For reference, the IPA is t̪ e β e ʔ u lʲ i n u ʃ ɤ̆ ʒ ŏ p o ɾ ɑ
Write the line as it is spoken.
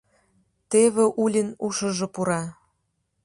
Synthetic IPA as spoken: t̪ e β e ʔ u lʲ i n u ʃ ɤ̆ ʒ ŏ p u ɾ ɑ